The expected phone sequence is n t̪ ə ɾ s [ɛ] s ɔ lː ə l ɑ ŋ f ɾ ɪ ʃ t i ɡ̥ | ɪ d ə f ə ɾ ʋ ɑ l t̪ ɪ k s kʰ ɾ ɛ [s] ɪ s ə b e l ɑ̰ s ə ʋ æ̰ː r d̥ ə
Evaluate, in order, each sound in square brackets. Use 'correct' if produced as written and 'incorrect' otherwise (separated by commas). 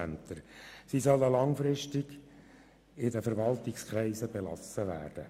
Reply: incorrect, incorrect